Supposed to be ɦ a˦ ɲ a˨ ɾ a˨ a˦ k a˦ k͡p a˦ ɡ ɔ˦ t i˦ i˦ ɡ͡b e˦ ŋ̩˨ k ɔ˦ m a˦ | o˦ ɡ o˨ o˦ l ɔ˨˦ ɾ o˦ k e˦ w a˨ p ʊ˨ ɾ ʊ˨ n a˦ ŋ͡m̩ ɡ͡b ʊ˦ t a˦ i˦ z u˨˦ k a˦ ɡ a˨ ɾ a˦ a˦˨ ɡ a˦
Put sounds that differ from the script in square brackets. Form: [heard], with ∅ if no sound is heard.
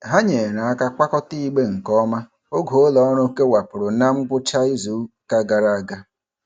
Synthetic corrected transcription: ɦ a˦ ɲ [e˨] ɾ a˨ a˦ k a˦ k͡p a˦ [k] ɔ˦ t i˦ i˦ ɡ͡b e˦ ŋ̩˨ k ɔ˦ m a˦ | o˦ ɡ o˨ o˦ l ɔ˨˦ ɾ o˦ k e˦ w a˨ p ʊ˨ ɾ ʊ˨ n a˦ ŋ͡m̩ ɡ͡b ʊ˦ [t͡ʃ] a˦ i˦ z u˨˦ k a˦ ɡ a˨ ɾ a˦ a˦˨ ɡ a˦